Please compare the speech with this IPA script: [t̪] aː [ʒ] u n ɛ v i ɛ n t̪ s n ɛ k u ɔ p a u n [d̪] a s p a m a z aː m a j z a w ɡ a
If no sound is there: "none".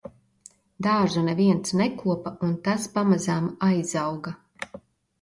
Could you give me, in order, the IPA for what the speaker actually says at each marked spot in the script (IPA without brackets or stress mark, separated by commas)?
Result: d̪, ʒ, t̪